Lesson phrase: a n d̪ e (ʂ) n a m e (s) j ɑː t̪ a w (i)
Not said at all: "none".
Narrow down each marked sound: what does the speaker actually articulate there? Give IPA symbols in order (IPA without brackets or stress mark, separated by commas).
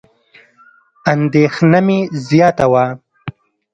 x, z, a